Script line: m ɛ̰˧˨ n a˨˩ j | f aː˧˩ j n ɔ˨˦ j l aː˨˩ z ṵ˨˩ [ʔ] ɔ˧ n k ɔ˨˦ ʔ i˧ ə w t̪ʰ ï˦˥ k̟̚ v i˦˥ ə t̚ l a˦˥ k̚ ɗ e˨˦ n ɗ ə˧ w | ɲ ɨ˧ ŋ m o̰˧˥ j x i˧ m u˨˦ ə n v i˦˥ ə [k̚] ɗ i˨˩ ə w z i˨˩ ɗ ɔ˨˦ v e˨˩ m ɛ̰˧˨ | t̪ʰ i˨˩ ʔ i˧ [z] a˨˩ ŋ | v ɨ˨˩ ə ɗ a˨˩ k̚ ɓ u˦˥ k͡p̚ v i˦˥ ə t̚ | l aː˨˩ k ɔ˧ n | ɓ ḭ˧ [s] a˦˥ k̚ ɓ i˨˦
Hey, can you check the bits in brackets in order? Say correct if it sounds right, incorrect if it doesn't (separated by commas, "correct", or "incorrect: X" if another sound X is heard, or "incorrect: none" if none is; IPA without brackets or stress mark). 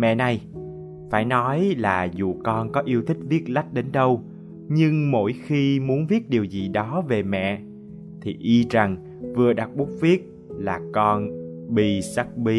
incorrect: k, incorrect: t̚, correct, correct